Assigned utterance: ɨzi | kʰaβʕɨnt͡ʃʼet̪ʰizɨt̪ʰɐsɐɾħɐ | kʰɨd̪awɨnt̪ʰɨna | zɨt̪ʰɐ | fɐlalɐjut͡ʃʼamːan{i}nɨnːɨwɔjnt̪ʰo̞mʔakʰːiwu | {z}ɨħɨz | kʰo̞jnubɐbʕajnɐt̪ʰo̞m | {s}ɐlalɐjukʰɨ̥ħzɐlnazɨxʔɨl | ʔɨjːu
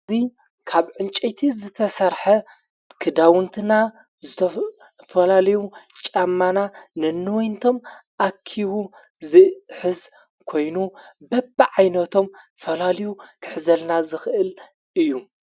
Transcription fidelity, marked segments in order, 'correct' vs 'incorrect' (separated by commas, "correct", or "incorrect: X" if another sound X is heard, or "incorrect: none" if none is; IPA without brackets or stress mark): incorrect: a, correct, incorrect: f